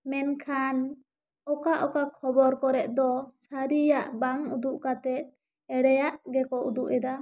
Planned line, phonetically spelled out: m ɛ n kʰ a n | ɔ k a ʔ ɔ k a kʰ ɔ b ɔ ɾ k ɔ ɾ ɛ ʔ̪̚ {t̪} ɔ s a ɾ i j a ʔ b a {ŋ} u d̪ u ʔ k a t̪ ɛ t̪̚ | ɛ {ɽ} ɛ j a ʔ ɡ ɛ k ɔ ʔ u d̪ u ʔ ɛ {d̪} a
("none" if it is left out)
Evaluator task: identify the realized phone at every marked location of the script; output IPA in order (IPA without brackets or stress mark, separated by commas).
d̪, ŋ, ɽ, d̪